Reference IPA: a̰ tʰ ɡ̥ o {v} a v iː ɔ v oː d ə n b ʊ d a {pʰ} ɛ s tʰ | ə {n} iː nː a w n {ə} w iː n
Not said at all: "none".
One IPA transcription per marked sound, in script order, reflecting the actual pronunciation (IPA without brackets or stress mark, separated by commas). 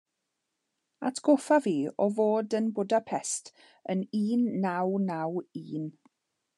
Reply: f, pʰ, n, a